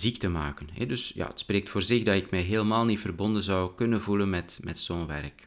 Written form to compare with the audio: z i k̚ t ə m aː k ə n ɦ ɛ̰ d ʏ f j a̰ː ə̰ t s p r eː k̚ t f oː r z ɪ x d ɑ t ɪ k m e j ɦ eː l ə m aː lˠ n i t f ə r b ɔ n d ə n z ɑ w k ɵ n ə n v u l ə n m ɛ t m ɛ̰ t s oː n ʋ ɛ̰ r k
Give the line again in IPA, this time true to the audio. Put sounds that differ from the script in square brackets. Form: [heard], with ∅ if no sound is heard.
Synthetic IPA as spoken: z i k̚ t ə m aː k ə n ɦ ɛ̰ d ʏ [s] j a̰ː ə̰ t s p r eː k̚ t f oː r z ɪ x d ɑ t ɪ k m [ɛ] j ɦ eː l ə m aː lˠ n i t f ə r b ɔ n d ə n z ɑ w k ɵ n ə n v u l ə n m ɛ t m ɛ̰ t s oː n ʋ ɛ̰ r k